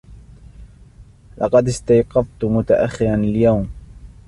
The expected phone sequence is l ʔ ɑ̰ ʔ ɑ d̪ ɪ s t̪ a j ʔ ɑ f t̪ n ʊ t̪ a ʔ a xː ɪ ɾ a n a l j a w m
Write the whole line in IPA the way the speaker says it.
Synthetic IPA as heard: l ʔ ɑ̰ q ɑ d̪ ɪ s t̪ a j q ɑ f t̪ m ʊ t̪ a ʔ a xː ɪ ɾ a n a l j a w m